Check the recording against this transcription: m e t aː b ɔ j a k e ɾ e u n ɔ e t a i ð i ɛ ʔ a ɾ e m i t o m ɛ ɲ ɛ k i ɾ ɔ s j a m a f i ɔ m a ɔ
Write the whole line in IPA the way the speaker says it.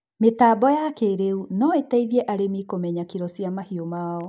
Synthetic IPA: m e t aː b ɔ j a k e ɾ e u n ɔ e t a i ð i ɛ ʔ a ɾ e m i k o m ɛ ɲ a k i ɾ ɔ s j a m a h i o m a ɔ

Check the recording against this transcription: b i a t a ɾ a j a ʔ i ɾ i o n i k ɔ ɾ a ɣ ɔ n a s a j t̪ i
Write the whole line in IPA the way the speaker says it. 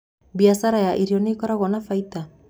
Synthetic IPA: b i a s a ɾ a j a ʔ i ɾ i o n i k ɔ ɾ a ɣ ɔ n a f a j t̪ a

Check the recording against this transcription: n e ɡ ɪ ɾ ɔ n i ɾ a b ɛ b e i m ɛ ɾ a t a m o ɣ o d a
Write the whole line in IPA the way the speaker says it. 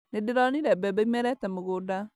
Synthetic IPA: n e d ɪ ɾ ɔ n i ɾ ɛ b ɛ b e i m ɛ ɾ ɛ t ɛ m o ɣ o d a

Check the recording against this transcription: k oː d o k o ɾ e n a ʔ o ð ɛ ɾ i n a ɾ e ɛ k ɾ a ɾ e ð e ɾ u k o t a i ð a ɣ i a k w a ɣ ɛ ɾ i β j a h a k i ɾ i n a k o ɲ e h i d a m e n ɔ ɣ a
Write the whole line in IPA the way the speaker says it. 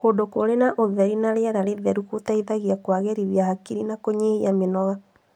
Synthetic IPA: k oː d o k o ɾ e n a ʔ o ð ɛ ɾ i n a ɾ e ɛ ɾ a ɾ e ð ɛ ɾ u k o t a i ð a ɣ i a k w a ɣ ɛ ɾ i β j a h a k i ɾ i n a k o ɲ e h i a m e n ɔ ɣ a

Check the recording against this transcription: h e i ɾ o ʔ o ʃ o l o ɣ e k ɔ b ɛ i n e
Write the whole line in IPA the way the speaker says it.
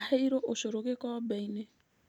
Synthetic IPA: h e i ɾ o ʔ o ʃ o ɾ o ɣ e k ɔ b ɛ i n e

